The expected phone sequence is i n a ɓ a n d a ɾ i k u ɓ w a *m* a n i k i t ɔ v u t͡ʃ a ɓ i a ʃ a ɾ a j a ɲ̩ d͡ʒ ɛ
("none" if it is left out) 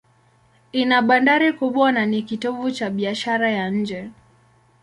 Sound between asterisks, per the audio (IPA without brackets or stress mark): n